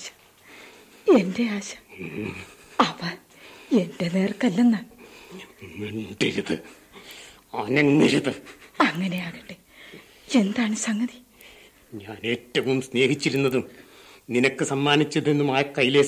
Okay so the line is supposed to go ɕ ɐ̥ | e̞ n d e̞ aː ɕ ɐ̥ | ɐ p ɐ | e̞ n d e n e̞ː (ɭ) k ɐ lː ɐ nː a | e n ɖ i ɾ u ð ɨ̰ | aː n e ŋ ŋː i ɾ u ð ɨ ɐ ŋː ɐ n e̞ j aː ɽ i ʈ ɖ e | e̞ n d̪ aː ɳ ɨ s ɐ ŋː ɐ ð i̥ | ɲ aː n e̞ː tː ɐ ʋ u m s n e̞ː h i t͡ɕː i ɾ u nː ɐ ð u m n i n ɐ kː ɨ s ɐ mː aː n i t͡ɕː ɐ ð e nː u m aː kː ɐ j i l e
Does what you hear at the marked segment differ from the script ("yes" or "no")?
yes